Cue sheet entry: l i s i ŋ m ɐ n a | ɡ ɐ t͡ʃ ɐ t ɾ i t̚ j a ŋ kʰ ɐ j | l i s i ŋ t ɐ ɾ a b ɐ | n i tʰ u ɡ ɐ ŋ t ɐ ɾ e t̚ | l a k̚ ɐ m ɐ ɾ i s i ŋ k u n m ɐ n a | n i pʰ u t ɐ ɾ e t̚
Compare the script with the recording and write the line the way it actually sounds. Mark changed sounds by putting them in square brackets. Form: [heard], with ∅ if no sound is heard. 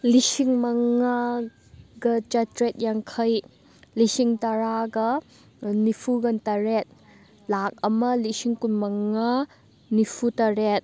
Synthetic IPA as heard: l i s i ŋ m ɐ [ŋ] a | ɡ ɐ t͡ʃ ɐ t ɾ [e] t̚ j a ŋ kʰ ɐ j | l i s i ŋ t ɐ ɾ a [ɡ] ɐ | n i [pʰ] u ɡ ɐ [n] t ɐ ɾ e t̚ | l a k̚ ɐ m ɐ [l] i s i ŋ k u n m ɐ [ŋ] a | n i pʰ u t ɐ ɾ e t̚